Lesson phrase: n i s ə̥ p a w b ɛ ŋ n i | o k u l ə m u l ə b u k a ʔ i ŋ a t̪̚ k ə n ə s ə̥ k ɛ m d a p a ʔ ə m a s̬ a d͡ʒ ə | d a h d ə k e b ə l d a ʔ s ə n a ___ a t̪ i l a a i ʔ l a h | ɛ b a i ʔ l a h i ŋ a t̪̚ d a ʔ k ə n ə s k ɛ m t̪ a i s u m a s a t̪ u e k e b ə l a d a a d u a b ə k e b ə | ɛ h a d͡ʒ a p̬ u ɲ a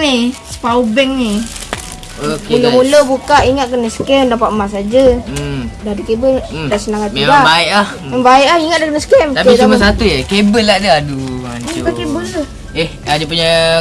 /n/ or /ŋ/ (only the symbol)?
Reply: ŋ